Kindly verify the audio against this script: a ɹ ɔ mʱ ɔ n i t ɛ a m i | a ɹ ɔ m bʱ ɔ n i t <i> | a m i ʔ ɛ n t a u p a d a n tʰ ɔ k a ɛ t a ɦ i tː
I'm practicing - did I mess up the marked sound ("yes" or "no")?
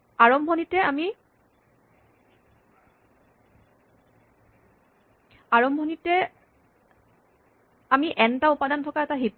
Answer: yes